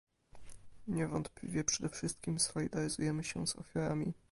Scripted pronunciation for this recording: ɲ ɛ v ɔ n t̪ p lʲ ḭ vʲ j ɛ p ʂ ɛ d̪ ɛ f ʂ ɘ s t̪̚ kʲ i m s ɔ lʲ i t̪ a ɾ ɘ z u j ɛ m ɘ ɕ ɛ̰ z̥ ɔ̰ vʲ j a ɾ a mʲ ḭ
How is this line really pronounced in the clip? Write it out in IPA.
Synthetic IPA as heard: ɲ ɛ v ɔ n t̪ p lʲ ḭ vʲ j ɛ p ʂ ɛ d̪ ɛ f ʂ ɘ s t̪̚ kʲ i m s ɔ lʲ i d̪ a ɾ ɘ z u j ɛ m ɘ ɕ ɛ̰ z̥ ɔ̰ fʲ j a ɾ a mʲ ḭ